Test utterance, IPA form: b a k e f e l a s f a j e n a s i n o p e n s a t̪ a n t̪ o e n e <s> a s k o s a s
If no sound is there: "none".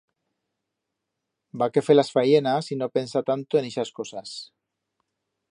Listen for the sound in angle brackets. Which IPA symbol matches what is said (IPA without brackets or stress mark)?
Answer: ʃ